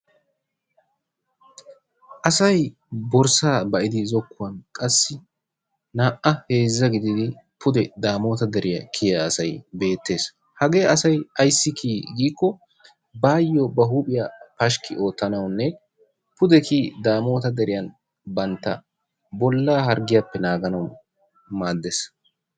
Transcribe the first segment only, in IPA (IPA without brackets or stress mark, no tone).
ʔ